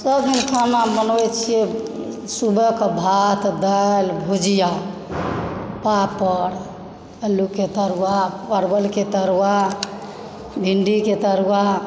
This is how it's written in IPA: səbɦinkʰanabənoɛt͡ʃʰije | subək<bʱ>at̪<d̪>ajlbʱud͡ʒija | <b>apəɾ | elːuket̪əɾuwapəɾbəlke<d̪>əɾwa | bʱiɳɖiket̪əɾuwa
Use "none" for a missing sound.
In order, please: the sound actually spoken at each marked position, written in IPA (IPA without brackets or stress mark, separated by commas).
bʱ, d̪, p, t̪